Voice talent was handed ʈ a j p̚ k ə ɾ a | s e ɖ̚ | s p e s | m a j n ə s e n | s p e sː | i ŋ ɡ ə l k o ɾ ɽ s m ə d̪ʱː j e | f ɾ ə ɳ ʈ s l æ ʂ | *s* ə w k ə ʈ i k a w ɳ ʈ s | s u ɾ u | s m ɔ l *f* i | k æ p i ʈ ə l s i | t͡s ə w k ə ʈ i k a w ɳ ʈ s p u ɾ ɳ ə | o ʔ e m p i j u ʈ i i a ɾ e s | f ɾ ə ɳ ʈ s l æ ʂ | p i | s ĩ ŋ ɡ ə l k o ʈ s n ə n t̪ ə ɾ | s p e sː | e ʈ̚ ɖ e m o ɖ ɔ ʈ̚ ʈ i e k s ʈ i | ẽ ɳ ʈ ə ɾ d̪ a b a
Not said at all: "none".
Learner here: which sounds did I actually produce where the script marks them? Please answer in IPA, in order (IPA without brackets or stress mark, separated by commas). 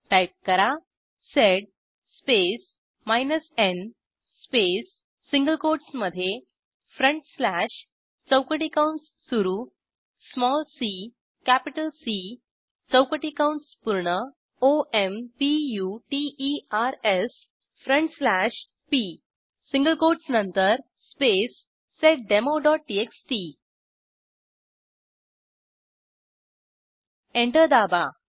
t͡s, s